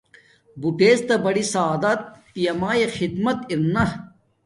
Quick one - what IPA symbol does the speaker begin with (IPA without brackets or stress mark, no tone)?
b